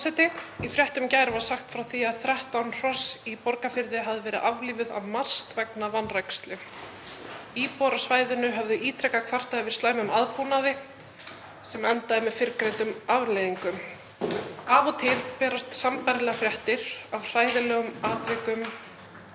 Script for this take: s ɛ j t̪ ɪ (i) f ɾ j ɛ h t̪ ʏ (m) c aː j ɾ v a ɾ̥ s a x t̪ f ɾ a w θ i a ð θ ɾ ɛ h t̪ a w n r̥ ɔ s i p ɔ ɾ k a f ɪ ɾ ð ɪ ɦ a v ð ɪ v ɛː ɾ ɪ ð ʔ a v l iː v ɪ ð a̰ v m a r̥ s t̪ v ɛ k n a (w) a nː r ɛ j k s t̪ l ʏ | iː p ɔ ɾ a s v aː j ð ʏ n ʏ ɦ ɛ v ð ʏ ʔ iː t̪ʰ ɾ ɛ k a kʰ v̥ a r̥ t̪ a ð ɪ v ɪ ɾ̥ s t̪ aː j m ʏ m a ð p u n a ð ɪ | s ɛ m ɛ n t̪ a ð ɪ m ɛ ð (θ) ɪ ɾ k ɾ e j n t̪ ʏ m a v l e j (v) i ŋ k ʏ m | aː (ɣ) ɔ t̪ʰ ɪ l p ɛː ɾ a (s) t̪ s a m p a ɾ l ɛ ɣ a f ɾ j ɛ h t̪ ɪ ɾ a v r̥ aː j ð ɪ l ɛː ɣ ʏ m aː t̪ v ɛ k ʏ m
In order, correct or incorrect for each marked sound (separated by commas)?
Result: correct, correct, incorrect, incorrect, incorrect, incorrect, correct